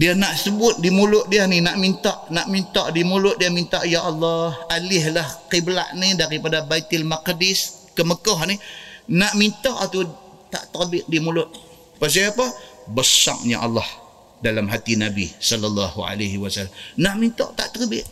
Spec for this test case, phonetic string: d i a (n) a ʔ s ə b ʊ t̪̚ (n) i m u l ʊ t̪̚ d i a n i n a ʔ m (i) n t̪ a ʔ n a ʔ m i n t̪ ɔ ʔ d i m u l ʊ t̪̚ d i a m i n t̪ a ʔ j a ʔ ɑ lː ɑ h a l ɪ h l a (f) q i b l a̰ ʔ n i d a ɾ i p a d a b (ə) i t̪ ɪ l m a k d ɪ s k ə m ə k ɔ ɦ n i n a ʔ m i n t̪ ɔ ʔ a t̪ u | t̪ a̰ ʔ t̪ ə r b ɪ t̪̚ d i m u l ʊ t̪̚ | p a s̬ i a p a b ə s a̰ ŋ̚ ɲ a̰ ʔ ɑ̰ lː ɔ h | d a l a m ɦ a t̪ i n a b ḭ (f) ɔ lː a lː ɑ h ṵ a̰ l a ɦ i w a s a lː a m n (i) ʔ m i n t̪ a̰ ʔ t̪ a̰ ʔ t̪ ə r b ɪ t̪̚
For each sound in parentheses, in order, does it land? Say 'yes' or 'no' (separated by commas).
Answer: yes, no, yes, no, no, no, no